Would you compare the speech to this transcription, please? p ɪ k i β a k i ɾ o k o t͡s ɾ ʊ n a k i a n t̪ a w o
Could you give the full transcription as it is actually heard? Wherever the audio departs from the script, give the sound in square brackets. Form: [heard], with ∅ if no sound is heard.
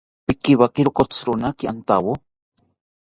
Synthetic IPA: p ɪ k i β a k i ɾ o k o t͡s ɾ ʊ n a k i a n t̪ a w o